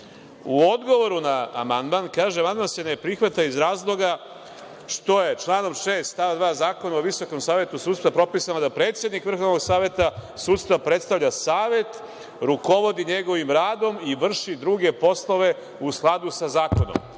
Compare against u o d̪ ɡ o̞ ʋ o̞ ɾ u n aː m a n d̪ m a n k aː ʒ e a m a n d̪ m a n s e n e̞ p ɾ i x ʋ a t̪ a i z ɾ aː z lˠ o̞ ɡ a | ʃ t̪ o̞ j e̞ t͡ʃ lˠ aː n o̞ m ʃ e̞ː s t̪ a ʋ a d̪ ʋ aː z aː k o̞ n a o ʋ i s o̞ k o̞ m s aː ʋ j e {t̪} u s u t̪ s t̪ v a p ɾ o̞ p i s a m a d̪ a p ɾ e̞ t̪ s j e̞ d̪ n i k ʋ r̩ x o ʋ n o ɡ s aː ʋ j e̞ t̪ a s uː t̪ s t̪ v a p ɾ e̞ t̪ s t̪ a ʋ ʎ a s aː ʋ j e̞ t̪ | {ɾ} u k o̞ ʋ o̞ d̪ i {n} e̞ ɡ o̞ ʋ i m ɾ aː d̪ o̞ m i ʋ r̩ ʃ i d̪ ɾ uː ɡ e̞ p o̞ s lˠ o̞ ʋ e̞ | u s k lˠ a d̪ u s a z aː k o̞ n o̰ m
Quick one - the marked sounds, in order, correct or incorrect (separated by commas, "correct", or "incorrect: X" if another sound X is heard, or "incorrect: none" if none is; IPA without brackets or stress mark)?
correct, correct, incorrect: ɲ